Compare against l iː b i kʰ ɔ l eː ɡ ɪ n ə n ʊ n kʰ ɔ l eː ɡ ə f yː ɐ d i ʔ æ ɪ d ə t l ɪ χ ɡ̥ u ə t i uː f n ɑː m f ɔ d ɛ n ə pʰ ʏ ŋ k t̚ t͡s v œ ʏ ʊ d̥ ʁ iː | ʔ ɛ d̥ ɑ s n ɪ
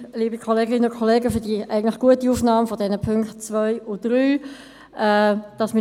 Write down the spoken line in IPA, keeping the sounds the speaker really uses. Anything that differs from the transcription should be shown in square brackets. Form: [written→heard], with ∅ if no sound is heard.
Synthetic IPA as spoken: l iː b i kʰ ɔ l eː ɡ ɪ n ə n ʊ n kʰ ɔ l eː ɡ ə f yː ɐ d i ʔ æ ɪ [d→ɡ] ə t l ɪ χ ɡ̥ u ə t i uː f n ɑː m f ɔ d ɛ n ə pʰ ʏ ŋ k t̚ t͡s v œ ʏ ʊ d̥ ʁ [iː→yː] | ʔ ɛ d̥ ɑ s [n→m] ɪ